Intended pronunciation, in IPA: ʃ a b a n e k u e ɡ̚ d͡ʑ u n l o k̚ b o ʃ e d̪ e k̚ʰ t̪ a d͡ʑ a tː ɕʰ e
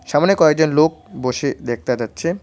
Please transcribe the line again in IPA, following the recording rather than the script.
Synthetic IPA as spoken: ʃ a m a n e k ɔ e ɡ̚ d͡ʑ o n l o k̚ b o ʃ e d̪ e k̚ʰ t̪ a d͡ʑ a tː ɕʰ e